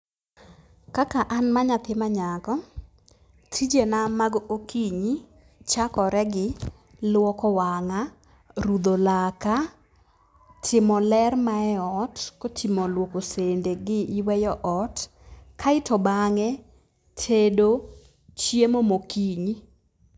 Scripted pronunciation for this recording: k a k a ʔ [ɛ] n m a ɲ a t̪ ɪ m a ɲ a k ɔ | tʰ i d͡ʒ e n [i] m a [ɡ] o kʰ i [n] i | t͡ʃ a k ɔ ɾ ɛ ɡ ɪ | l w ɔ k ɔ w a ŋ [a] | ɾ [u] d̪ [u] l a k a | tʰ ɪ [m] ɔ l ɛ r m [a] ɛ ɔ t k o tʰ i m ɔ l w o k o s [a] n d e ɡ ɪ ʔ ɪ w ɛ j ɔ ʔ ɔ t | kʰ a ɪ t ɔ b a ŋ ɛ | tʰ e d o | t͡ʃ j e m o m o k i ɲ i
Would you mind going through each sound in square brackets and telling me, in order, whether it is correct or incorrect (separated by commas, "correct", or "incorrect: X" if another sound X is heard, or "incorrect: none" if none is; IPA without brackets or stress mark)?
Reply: incorrect: a, incorrect: a, correct, incorrect: ɲ, correct, correct, incorrect: o, correct, correct, incorrect: e